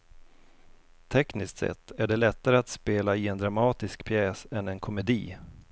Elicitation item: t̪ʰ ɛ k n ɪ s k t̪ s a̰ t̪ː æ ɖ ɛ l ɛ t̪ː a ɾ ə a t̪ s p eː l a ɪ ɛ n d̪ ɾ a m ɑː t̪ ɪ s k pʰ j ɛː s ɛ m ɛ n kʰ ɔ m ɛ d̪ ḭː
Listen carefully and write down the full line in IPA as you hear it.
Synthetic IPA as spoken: t̪ʰ ɛ k n ɪ s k t̪ s ɛ̰ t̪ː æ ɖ ɛ l ɛ t̪ː a ɾ ə a t̪ s p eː l a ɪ ɛ n d̪ ɾ a m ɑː t̪ ɪ s k pʰ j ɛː s ɛ n ɛ n kʰ ɔ m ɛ d̪ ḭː